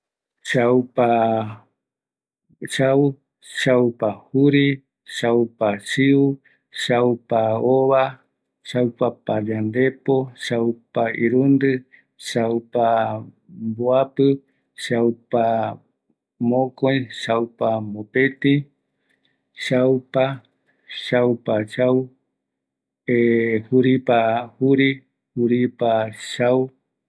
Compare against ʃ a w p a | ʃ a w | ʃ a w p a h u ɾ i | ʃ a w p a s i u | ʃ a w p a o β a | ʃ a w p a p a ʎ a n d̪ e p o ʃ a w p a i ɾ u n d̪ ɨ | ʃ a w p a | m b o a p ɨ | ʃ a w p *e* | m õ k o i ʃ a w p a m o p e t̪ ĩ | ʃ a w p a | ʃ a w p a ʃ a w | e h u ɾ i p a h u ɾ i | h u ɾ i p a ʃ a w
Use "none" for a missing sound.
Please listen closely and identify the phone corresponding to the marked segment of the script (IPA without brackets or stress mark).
a